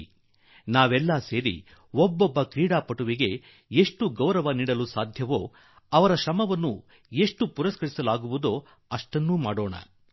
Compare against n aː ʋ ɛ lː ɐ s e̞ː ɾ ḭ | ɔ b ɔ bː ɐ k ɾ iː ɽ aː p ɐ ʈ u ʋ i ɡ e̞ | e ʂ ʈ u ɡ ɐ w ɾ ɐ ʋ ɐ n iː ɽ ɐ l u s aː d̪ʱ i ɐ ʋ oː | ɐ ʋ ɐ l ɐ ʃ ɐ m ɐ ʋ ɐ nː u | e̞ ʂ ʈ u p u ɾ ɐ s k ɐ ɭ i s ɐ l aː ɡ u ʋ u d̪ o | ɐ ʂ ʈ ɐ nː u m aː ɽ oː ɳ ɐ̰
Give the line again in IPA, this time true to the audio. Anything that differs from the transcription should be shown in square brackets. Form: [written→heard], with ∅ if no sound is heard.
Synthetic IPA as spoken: n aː ʋ ɛ lː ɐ s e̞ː ɾ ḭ | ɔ [b→bː] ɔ bː ɐ k ɾ iː ɽ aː p ɐ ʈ u ʋ i ɡ e̞ | e ʂ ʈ u ɡ ɐ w ɾ ɐ ʋ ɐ n iː ɽ ɐ l u s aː d̪ʱ [i→j] ɐ ʋ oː | ɐ ʋ ɐ [l→ɾ] ɐ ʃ ɐ m ɐ ʋ ɐ nː u | e̞ ʂ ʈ u p u ɾ ɐ s k ɐ [ɭ→ɾ] i s ɐ l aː ɡ u ʋ u d̪ o | ɐ ʂ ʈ ɐ nː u m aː ɽ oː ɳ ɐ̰

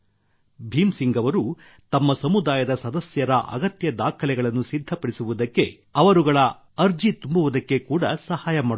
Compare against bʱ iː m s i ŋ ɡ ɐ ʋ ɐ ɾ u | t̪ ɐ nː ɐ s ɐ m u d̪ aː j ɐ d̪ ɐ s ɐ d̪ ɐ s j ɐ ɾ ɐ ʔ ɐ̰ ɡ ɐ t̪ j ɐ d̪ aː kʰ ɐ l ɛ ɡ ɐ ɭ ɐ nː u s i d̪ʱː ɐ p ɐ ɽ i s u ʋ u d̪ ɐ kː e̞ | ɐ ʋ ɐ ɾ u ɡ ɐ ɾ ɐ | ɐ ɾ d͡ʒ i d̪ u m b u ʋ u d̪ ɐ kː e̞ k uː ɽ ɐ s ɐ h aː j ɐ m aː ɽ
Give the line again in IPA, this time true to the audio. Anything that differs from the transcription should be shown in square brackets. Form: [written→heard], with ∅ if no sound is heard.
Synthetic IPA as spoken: bʱ iː m s i ŋ ɡ ɐ ʋ ɐ ɾ u | t̪ ɐ [nː→mː] ɐ s ɐ m u d̪ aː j ɐ d̪ ɐ s ɐ d̪ ɐ s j ɐ ɾ ɐ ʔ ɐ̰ ɡ ɐ t̪ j ɐ d̪ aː kʰ ɐ l ɛ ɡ ɐ ɭ ɐ nː u s i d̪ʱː ɐ p ɐ ɽ i s u ʋ u d̪ ɐ kː e̞ | ɐ ʋ ɐ ɾ u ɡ ɐ [ɾ→ɭ] ɐ | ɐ ɾ d͡ʒ i [d̪→t̪] u m b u ʋ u d̪ ɐ kː e̞ k uː ɽ ɐ s ɐ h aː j ɐ m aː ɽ

